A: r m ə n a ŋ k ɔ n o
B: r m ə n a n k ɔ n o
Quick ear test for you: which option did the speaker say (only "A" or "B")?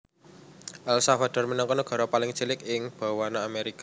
A